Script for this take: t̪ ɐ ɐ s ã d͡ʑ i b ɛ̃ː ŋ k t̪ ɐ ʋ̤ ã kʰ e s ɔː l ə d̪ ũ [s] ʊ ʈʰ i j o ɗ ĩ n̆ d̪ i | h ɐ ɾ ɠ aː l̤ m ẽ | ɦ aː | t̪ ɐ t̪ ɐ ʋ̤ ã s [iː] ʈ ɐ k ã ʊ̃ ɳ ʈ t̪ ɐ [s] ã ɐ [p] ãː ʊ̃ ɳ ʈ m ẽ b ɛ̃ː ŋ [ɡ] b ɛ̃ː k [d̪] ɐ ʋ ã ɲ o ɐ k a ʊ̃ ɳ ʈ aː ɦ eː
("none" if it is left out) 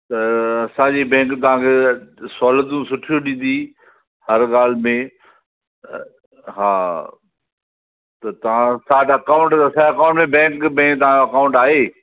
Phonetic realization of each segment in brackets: s, aː, s, k, k, t̪

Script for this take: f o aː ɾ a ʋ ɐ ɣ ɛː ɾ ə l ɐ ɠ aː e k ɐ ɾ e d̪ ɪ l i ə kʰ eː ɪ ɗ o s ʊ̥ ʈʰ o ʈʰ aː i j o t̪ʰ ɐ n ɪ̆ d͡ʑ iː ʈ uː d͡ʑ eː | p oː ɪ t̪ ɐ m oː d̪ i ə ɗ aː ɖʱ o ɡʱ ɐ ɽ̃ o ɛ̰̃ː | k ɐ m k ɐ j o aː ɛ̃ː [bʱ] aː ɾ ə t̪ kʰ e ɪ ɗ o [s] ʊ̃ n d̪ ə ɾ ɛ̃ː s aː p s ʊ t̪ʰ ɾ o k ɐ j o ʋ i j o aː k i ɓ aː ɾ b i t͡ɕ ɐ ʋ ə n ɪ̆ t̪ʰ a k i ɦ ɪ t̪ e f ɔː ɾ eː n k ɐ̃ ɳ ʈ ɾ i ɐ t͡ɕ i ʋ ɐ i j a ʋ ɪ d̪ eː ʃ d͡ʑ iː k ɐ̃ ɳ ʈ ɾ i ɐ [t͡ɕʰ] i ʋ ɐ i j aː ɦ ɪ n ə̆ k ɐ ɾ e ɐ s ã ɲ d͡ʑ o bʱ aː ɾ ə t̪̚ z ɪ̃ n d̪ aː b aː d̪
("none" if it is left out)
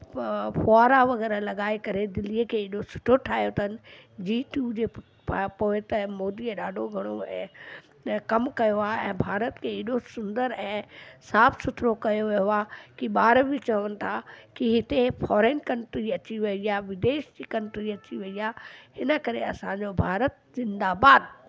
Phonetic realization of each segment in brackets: bʱ, s, t͡ɕ

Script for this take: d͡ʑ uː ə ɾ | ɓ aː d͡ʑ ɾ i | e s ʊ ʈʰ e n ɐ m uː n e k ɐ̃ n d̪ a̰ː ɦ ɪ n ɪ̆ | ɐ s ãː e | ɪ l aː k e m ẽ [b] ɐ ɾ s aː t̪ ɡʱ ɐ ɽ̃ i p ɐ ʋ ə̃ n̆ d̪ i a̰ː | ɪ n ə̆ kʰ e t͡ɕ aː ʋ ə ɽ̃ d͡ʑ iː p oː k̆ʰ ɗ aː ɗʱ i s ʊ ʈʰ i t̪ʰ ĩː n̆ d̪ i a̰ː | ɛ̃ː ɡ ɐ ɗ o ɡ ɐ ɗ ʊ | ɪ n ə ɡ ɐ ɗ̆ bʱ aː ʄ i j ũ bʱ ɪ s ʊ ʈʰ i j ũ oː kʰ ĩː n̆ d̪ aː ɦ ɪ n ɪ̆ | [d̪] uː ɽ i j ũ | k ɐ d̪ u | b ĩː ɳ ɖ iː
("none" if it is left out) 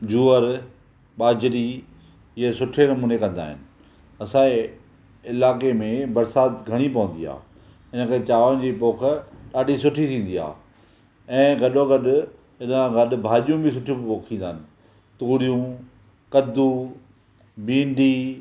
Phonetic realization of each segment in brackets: b, t̪

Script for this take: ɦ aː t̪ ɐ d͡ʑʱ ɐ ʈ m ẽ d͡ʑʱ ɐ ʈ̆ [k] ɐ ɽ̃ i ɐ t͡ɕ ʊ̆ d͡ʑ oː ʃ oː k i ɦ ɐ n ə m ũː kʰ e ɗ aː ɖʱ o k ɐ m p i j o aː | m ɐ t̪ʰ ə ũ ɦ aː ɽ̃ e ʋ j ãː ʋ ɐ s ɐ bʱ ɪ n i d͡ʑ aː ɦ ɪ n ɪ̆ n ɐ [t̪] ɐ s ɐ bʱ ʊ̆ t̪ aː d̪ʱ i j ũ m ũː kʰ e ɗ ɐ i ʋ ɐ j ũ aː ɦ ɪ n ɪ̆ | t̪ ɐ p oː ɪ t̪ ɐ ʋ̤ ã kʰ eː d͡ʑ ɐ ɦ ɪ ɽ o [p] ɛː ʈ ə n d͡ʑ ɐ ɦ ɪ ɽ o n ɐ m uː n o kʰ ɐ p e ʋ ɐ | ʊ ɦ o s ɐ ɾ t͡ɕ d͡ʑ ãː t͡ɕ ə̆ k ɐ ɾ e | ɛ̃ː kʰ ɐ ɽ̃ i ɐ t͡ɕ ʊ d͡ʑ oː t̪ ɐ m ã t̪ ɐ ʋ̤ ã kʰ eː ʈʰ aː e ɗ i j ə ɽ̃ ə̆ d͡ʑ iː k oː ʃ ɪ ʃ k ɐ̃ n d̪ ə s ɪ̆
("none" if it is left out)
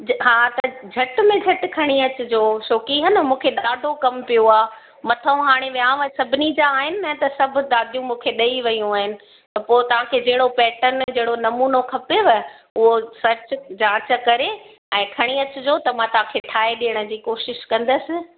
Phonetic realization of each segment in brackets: kʰ, t̪, p

